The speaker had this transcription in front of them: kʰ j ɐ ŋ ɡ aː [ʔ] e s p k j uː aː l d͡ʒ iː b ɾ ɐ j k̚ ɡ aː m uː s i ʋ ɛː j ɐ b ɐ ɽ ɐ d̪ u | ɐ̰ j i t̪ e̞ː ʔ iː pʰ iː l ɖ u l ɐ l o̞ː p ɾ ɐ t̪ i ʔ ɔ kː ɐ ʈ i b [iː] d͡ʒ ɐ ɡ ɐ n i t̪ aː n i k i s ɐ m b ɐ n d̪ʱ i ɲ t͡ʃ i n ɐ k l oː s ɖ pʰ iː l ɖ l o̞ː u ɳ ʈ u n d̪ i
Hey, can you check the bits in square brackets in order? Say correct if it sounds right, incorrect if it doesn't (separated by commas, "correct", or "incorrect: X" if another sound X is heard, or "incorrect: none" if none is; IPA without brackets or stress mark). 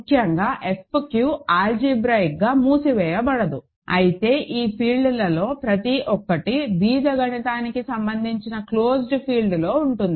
correct, correct